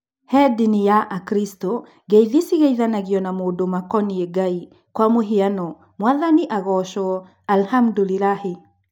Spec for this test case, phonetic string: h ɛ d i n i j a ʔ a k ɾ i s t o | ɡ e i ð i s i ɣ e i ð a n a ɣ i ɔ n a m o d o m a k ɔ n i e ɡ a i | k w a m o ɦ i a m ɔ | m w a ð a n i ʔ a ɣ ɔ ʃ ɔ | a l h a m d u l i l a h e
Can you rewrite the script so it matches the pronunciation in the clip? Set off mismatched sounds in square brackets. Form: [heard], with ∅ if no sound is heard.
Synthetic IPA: h ɛ d i n i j a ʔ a k ɾ i s t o | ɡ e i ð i s i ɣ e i ð a n a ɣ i ɔ n a m o d o m a k ɔ n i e ɡ a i | k w a m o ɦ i a [n] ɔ | m w a ð a n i ʔ a ɣ ɔ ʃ ɔ | a l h a m d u l i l a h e